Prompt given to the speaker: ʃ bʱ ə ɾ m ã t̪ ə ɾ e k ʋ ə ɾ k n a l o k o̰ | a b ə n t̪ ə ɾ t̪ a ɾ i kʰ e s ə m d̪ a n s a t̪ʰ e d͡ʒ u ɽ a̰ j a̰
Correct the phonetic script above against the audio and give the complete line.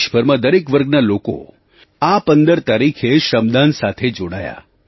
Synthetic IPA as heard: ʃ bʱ ə ɾ m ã d̪ ə ɾ e k ʋ ə ɾ ɡ n a l o k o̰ | a p ə n d̪ ə ɾ t̪ a ɾ i kʰ e ʃ ə m d̪ a n s a t̪ʰ e d͡ʒ o ɽ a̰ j a̰

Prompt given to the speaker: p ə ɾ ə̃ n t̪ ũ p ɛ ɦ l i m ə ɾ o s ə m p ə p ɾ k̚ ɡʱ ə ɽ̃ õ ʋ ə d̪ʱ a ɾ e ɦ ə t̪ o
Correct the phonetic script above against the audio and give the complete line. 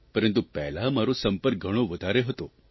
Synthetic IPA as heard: p ə ɾ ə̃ n t̪ u p ɛ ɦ l a m a ɾ o s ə m p ə ɾ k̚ ɡʱ ə ɽ̃ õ ʋ ə d̪ʱ a ɾ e ɦ ə t̪ o

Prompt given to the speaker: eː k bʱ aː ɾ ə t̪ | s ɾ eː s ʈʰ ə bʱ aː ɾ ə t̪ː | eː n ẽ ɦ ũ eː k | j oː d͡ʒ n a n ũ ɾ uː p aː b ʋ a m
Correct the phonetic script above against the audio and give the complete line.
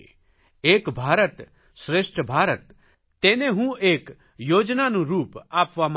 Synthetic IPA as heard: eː k bʱ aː ɾ ə t̪ | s ɾ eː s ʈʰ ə bʱ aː ɾ ə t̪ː | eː n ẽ ɦ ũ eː k | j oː d͡ʒ n a n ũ ɾ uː p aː p ʋ a m

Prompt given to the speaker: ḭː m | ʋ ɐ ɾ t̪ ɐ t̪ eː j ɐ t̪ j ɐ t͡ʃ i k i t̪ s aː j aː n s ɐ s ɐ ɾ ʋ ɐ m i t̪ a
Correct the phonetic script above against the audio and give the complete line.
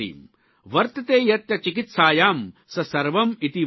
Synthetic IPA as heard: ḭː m | ʋ ɐ ɾ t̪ ɐ t̪ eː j ɐ t̪ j ɐ t͡ʃ i k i t̪ s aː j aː m s ɐ s ɐ ɾ ʋ ɐ m i t̪ i

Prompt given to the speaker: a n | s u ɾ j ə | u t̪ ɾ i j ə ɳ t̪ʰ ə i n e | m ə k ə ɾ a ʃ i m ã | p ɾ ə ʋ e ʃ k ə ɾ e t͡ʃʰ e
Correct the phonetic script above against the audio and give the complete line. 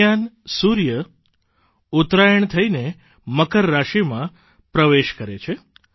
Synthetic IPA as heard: a n | s u ɾ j ə | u t̪ ɾ a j ə ɳ t̪ʰ ə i n e | m ə k ə ɾː a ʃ i m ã | p ɾ ə ʋ e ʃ k ə ɾ e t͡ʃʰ e

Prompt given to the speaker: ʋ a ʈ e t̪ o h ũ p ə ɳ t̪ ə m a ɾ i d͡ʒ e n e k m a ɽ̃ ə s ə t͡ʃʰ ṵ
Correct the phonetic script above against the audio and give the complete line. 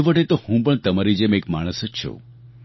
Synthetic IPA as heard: ʋ ə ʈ e t̪ o h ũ p ə ɳ t̪ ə m a ɾ i d͡ʒ e m e k m a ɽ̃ ə s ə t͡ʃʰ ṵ

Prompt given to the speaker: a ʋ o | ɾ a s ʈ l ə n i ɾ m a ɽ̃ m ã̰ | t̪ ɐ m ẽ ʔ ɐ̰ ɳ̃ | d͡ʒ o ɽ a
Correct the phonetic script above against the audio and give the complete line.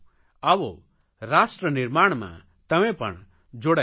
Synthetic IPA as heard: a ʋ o | ɾ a s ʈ ɾ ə n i ɾ m a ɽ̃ m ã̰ | t̪ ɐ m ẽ p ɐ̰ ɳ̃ | d͡ʒ o ɽ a

